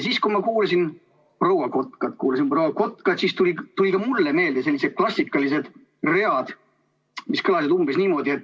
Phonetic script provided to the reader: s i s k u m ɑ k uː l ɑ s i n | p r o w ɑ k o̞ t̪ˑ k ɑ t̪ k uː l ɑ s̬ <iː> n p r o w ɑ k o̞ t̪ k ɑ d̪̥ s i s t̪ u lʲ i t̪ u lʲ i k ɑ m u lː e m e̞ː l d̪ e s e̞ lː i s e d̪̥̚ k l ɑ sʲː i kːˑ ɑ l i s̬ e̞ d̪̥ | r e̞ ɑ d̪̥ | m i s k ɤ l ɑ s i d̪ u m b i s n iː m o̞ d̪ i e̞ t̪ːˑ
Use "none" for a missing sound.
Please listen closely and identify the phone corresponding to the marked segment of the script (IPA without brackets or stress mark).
i